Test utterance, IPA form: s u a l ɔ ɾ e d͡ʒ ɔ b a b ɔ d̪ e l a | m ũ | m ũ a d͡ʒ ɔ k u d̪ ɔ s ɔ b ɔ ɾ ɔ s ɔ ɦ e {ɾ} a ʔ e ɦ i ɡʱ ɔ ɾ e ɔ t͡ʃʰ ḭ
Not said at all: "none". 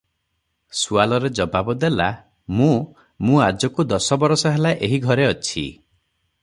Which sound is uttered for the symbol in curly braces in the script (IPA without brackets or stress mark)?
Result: l